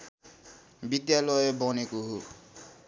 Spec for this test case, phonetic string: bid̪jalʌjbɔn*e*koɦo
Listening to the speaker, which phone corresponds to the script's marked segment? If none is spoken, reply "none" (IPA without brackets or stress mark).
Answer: e